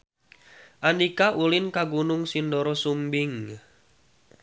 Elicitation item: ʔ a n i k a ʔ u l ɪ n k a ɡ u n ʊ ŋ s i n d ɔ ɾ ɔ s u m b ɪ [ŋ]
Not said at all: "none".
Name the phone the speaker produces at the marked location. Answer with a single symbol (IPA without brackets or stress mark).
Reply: ŋ